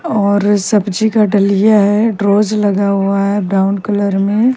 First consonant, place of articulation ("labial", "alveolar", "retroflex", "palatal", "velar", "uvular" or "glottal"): alveolar